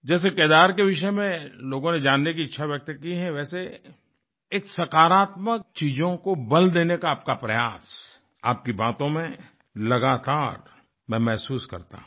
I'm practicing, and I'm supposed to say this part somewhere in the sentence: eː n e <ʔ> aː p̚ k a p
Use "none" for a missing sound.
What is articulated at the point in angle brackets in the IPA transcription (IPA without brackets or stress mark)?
k